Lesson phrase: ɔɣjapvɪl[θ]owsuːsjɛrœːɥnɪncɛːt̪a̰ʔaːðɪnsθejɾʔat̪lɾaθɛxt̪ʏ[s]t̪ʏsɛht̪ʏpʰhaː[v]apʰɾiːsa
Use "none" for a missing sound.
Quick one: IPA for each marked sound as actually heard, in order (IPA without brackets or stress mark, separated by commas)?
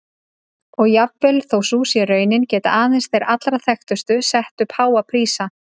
θ, s, w